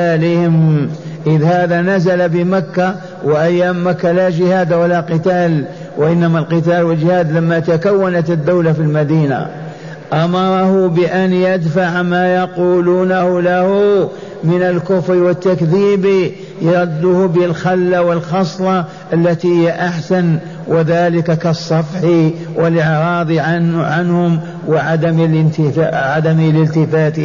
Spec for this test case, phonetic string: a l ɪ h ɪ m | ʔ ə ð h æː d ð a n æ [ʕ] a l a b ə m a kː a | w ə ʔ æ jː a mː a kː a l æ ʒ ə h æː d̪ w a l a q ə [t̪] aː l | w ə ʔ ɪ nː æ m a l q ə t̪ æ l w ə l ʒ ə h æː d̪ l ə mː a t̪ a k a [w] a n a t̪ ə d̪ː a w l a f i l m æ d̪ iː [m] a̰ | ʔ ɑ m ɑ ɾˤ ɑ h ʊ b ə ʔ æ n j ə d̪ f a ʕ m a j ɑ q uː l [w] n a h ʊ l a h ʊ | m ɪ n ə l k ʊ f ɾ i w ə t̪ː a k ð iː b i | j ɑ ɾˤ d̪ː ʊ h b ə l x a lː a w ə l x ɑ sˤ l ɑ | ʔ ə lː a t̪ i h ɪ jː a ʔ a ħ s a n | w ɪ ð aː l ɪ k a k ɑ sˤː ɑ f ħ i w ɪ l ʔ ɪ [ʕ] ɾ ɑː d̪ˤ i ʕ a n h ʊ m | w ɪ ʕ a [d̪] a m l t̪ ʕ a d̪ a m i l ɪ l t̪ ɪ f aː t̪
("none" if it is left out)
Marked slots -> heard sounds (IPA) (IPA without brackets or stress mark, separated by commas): z, t̪, wː, n, u, ʕ, d̪